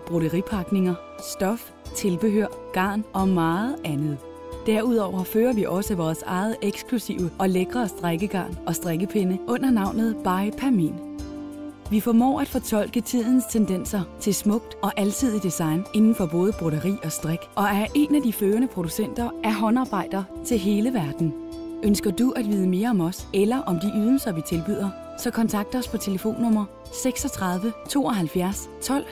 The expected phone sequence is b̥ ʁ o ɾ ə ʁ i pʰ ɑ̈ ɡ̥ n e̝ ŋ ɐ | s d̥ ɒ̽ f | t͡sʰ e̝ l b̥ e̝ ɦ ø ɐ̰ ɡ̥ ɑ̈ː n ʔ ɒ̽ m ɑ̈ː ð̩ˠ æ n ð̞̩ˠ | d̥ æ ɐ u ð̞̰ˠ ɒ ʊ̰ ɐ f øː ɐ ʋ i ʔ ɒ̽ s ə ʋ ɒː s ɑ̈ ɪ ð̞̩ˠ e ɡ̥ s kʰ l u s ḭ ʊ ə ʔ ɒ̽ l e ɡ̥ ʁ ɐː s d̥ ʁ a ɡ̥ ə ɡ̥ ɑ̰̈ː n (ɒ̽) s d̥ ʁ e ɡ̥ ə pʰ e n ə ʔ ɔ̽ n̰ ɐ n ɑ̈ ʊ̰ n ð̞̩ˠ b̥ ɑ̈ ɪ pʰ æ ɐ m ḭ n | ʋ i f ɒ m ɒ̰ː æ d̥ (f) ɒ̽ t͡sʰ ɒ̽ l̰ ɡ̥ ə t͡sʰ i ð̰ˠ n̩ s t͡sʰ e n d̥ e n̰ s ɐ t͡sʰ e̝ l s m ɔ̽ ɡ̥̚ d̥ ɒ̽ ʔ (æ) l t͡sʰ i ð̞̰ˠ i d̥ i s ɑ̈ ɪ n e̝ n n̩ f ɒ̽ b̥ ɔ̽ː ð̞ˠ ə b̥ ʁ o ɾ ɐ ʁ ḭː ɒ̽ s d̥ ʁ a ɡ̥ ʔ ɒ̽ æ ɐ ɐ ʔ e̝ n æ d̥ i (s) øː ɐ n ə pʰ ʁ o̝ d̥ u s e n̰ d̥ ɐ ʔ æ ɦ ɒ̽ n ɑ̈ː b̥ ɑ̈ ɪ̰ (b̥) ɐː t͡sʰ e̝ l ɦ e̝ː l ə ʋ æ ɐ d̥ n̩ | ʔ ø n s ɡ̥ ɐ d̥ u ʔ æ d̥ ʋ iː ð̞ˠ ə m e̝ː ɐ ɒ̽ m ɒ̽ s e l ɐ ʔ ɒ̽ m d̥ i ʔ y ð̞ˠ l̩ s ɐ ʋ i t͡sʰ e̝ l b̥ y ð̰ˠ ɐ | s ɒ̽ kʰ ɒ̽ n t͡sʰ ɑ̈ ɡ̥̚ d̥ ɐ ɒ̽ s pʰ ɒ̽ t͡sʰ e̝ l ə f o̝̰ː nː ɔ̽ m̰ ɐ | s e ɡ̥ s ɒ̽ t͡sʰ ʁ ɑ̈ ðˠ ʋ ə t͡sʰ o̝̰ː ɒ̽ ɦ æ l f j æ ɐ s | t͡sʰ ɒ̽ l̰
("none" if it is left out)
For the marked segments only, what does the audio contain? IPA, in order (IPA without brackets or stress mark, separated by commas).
ɒ̽, f, æ, f, d̥